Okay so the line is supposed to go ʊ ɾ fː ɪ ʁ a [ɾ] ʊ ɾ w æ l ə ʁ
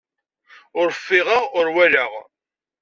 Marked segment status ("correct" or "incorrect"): incorrect